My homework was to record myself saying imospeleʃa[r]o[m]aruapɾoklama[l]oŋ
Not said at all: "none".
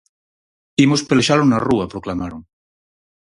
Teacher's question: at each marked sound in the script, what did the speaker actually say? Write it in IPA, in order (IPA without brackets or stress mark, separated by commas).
l, n, ɾ